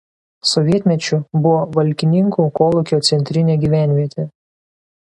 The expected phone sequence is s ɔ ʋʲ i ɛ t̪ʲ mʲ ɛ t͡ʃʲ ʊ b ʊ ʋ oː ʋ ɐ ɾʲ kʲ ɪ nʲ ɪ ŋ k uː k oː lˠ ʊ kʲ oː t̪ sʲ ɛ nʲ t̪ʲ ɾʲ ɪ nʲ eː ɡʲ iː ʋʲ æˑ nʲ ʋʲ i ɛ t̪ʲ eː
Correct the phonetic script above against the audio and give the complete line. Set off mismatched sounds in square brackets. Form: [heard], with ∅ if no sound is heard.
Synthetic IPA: s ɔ ʋʲ i ɛ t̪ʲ mʲ ɛ t͡ʃʲ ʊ b ʊ ʋ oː ʋ ɐ [lʲ] kʲ ɪ nʲ ɪ ŋ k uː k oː lˠ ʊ kʲ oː t̪ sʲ ɛ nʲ t̪ʲ ɾʲ ɪ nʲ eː ɡʲ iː ʋʲ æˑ nʲ ʋʲ i ɛ t̪ʲ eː